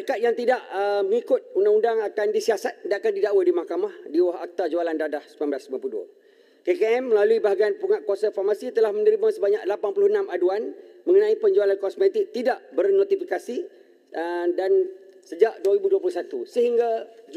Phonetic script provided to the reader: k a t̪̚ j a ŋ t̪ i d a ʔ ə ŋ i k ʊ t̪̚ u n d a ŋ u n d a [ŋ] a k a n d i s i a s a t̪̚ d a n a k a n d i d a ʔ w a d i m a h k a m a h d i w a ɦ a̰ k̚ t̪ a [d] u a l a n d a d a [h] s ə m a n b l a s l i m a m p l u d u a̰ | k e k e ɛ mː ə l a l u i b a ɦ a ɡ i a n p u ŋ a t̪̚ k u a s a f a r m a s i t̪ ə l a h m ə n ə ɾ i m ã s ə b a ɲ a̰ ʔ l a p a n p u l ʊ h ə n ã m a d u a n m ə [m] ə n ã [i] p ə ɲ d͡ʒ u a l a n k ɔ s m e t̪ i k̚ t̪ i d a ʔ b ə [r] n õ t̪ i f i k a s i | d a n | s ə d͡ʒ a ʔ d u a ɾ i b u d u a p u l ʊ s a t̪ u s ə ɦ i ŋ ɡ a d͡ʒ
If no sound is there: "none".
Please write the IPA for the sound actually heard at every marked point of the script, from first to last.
ŋ, d͡ʒ, h, ŋ, i, r

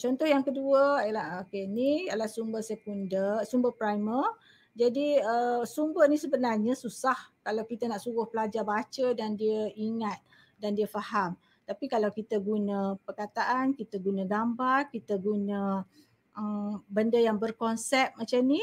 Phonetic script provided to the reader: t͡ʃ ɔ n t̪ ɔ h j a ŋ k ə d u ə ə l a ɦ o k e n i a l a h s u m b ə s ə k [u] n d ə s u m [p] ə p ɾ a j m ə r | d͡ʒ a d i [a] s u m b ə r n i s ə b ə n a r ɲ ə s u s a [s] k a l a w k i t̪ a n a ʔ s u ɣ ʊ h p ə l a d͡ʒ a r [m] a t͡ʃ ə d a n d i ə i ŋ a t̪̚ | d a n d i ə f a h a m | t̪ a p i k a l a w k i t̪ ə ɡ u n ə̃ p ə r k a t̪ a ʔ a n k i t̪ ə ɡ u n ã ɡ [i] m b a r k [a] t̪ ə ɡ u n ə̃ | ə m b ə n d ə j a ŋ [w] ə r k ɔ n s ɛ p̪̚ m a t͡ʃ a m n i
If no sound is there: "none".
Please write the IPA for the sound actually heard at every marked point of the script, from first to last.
u, b, ə, h, b, a, i, b

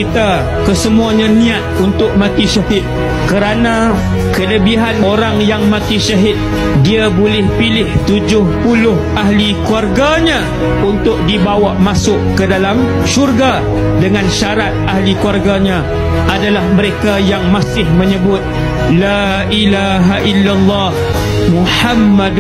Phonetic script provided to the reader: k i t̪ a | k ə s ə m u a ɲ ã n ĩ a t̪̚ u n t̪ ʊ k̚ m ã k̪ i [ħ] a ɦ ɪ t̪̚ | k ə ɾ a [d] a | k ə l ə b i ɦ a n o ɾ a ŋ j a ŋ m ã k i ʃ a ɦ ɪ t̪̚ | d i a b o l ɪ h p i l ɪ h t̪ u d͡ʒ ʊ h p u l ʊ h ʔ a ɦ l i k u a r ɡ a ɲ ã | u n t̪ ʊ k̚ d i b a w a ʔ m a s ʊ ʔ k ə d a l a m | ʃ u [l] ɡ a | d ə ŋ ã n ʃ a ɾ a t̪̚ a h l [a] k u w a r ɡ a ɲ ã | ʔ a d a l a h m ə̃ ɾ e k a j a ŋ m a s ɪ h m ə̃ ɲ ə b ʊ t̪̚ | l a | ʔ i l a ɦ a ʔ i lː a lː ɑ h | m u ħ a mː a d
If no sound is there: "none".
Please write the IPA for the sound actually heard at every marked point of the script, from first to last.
ʃ, n, r, i

